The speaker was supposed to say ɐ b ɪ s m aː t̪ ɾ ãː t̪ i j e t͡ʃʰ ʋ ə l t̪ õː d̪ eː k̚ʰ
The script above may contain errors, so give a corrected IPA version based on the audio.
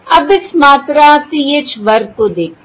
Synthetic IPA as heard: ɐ b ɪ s m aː t̪ ɾ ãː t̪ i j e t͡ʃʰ ʋ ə ɾ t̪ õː d̪ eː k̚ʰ